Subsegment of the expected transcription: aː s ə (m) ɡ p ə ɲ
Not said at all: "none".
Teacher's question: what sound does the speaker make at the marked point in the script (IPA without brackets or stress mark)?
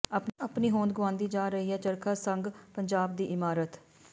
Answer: ŋ